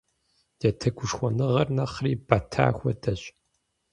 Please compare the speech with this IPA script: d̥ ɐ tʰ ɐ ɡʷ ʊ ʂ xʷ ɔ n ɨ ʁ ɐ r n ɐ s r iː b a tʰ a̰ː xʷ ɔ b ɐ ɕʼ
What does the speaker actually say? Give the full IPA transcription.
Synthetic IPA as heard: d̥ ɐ tʰ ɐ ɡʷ ʊ ʂ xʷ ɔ n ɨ ʁ ɐ r n ɐ χ r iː b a tʰ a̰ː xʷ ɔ d ɐ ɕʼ